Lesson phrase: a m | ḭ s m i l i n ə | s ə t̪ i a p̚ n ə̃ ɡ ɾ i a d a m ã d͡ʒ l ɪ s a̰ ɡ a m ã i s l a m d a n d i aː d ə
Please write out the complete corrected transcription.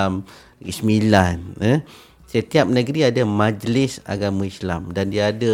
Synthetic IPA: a m | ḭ s m i l a n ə | s ə t̪ i a p̚ n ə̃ ɡ ɾ i a d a m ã d͡ʒ l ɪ s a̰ ɡ a m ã i s l a m d a n d i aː d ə